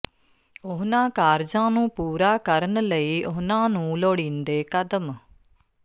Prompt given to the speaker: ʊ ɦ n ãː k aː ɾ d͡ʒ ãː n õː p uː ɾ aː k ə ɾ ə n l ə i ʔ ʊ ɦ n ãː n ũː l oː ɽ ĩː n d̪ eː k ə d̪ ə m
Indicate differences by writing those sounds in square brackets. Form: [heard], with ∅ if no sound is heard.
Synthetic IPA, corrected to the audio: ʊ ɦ n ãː k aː ɾ d͡ʒ ãː n [ũː] p uː ɾ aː k ə ɾ ə n l ə [iː] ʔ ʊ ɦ n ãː n ũː l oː ɽ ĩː n d̪ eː k ə d̪ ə m